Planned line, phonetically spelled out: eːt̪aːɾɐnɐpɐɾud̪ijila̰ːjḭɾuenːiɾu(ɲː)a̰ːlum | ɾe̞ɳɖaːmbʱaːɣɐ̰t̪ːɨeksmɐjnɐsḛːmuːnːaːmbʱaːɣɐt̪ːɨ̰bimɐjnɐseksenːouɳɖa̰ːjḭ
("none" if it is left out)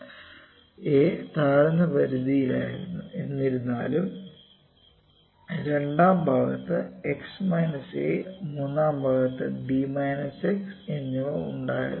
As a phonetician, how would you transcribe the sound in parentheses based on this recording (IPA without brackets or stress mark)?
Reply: nː